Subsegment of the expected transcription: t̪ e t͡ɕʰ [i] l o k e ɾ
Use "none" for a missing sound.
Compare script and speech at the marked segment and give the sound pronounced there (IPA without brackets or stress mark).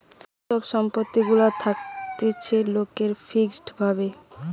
e